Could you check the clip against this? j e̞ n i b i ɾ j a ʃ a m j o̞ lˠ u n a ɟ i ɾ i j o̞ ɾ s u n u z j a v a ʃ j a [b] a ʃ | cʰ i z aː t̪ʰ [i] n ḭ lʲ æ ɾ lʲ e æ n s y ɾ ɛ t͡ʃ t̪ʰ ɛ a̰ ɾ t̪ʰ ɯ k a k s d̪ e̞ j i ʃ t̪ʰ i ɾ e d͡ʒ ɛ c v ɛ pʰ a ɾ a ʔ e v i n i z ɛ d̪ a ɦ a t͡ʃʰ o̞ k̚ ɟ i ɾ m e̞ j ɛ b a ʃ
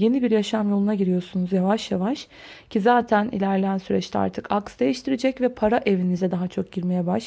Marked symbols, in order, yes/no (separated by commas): no, no